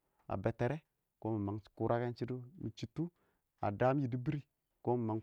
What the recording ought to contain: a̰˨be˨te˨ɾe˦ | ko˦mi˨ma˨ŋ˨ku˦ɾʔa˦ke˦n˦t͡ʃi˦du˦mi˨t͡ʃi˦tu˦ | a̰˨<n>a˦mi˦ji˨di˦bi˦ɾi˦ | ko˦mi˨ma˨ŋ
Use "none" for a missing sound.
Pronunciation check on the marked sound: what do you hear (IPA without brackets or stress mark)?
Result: d